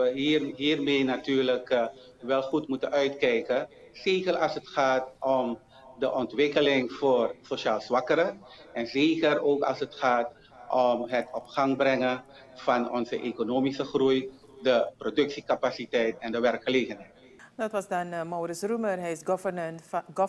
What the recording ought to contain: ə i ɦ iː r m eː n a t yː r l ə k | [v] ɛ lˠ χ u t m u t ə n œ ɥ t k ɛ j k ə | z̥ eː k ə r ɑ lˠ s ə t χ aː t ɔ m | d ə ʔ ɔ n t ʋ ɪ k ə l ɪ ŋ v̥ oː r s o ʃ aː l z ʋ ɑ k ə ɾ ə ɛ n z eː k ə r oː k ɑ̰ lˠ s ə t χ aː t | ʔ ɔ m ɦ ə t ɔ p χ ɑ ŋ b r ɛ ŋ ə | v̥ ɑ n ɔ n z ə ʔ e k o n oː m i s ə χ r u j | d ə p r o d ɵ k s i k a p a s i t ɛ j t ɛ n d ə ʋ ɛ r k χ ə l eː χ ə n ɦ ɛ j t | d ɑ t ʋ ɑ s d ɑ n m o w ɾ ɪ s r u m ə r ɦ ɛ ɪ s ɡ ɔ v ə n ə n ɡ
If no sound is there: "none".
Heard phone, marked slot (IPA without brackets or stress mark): ʋ